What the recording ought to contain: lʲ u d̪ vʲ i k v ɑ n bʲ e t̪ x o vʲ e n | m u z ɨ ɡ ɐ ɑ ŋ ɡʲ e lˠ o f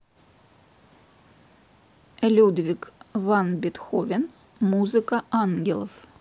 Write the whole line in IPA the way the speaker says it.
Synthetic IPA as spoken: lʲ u d̪ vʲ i k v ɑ n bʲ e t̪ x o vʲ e n | m u z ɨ k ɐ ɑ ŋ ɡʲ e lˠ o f